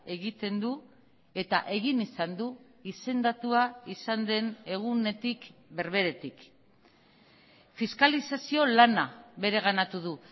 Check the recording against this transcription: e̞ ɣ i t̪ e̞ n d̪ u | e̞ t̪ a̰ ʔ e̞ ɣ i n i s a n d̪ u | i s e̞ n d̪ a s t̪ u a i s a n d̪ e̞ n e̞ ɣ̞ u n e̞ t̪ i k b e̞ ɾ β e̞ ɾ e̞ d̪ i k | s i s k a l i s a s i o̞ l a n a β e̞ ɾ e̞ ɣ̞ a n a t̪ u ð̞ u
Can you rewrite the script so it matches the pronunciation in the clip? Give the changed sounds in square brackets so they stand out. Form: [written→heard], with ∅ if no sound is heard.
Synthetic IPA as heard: e̞ ɣ i t̪ e̞ n d̪ u | e̞ t̪ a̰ ʔ e̞ ɣ i n i s a n d̪ u | i s e̞ n d̪ a [s→∅] t̪ u a i s a n d̪ e̞ n e̞ ɣ̞ u n e̞ t̪ i k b e̞ ɾ β e̞ ɾ e̞ [d̪→t̪] i k | [s→f] i s k a l i s a s i o̞ l a n a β e̞ ɾ e̞ ɣ̞ a n a t̪ u ð̞ u